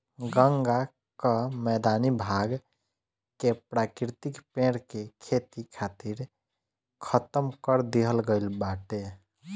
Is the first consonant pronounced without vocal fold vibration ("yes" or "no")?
no